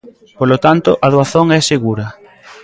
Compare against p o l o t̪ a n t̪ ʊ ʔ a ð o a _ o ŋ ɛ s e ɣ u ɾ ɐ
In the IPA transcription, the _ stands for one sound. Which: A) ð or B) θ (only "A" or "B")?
B